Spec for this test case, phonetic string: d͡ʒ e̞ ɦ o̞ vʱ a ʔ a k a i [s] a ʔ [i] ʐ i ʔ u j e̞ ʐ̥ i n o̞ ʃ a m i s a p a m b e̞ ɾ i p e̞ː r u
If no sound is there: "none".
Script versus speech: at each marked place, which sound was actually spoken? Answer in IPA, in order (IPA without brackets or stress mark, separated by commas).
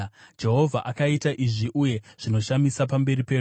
t, i